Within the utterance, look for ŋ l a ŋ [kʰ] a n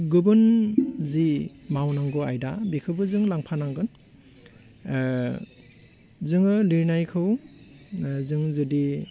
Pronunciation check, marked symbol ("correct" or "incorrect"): incorrect